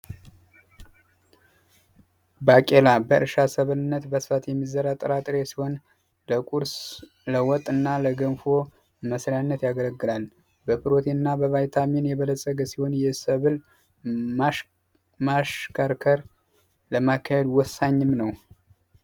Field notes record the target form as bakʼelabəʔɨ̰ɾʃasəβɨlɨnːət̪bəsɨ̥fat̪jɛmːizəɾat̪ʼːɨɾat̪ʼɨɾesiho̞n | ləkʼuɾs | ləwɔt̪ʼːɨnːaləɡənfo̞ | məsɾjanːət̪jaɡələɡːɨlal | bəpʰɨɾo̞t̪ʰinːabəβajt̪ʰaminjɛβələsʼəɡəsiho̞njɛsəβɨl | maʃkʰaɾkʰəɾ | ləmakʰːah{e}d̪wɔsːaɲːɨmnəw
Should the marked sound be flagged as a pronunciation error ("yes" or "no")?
no